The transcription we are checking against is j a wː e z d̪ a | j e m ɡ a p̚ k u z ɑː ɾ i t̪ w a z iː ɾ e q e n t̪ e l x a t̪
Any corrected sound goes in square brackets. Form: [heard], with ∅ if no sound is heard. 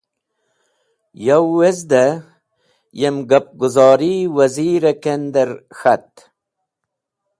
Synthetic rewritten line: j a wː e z d̪ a | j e m ɡ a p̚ [ɡ] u z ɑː ɾ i [∅] w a z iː ɾ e [k] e n [d̪] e [ɾ] x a t̪